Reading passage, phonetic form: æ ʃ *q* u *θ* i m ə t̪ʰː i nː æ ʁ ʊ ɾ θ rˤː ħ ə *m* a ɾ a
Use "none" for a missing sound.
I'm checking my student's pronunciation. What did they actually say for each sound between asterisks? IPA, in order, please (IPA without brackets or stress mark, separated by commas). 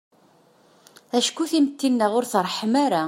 k, θ, m